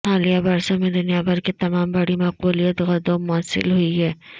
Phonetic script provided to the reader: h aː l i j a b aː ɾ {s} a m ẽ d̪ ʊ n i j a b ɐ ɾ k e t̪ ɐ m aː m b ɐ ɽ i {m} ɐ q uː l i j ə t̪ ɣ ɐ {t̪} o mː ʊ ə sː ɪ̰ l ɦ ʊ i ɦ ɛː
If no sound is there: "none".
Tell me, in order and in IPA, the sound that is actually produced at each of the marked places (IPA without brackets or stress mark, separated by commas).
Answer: s, m, d̪